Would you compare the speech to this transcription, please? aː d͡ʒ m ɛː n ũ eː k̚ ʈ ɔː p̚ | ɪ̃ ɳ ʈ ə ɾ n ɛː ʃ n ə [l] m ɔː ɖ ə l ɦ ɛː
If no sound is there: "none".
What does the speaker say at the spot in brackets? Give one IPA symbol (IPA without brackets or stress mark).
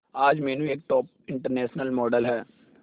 l